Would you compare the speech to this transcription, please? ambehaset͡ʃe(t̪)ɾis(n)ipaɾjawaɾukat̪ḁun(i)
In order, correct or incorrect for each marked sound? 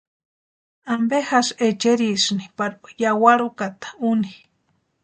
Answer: incorrect, correct, correct

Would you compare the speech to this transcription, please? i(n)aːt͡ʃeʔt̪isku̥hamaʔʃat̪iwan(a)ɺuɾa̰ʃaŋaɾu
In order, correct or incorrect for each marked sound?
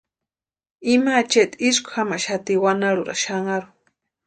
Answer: incorrect, correct

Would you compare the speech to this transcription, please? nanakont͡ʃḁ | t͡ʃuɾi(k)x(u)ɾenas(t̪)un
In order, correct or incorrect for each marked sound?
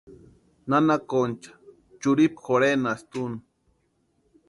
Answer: incorrect, incorrect, correct

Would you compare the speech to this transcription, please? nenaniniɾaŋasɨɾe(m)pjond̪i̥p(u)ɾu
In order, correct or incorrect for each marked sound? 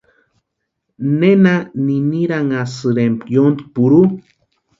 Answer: correct, correct

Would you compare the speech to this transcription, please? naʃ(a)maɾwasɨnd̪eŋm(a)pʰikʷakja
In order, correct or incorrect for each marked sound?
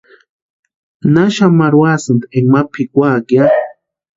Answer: correct, correct

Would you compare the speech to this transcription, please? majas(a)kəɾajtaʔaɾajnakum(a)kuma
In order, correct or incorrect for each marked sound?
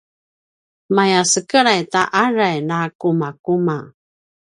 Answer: incorrect, correct

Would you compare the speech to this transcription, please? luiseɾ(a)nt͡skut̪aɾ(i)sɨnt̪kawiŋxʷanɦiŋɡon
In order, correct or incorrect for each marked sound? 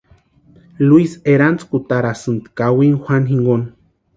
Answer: correct, incorrect

